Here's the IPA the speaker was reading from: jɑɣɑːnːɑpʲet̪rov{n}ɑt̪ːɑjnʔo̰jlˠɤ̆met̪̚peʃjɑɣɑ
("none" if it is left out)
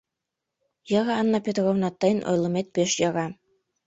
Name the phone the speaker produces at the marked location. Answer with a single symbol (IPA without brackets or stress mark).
n